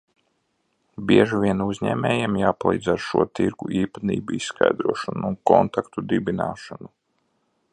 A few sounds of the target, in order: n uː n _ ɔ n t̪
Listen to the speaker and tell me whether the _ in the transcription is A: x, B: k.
B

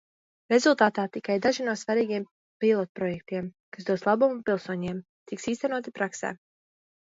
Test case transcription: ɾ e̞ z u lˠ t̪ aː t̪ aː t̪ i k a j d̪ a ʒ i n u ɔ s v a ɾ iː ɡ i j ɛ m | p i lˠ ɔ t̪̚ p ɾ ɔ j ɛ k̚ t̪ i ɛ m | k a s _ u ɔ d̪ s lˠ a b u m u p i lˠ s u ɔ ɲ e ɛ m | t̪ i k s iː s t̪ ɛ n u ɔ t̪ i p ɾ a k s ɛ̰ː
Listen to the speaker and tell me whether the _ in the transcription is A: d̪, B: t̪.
A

